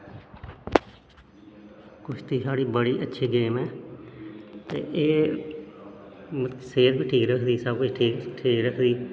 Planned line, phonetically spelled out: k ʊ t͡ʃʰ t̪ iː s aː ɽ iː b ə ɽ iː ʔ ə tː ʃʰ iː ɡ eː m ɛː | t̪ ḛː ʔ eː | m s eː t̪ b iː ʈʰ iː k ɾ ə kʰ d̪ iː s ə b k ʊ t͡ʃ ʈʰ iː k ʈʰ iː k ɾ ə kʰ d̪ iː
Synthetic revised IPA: k ʊ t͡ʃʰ t̪ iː s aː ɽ iː b ə ɽ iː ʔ ə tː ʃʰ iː ɡ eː m ɛː | t̪ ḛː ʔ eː | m s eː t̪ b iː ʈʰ iː k ɾ ə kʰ d̪ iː s ə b k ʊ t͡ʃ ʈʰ iː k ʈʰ iː k ɾ ə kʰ d̪ iː